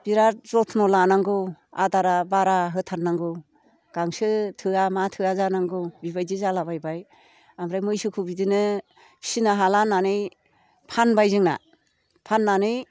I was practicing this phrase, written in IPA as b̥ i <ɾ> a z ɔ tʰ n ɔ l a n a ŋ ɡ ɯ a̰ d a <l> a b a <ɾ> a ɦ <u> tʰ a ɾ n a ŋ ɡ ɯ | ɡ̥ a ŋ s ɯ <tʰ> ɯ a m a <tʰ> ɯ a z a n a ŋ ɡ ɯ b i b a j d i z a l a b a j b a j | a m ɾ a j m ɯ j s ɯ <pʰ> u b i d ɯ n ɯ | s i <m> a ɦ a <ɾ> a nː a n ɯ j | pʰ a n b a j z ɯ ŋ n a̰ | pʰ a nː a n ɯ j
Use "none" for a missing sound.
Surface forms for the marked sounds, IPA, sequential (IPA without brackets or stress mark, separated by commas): ɾ, ɾ, ɾ, ɯ, tʰ, tʰ, kʰ, n, l